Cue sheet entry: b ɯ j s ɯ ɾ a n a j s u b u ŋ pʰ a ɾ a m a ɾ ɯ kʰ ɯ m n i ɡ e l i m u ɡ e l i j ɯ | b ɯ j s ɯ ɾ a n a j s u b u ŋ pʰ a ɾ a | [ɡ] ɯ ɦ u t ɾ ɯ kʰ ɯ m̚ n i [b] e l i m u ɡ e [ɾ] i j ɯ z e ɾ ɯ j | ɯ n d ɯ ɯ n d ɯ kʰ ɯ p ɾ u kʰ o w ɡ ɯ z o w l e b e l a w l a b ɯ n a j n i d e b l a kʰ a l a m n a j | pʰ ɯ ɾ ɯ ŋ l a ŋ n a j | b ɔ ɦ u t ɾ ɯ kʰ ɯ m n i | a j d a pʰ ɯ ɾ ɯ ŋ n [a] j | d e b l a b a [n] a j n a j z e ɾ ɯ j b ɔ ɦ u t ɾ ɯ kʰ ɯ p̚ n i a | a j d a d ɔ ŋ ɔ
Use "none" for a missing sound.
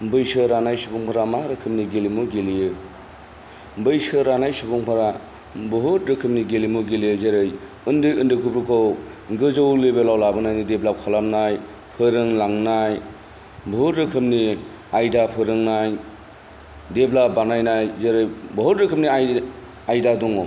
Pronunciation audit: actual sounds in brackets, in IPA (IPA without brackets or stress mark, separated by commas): b, ɡ, l, a, n